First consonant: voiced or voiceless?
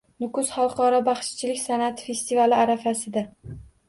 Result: voiced